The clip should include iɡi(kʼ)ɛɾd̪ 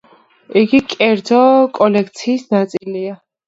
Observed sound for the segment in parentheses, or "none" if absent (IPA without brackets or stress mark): kʼ